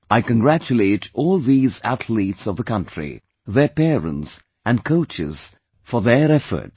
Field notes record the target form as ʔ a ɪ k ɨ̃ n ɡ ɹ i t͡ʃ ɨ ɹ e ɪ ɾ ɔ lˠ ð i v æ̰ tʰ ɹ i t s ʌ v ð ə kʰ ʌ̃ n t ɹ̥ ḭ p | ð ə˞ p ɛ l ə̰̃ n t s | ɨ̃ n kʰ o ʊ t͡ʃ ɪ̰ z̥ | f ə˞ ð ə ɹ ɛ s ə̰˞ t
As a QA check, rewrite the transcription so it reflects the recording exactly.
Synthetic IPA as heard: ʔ a ɪ k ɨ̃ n ɡ ɹ æ t͡ʃ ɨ l e ɪ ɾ ɔ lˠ ð i z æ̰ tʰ l i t s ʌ v ð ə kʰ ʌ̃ n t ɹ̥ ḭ | ð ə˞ p ɛ ɹ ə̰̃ n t s | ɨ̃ n kʰ o ʊ t͡ʃ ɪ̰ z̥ | f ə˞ ð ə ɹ ɛ f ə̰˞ t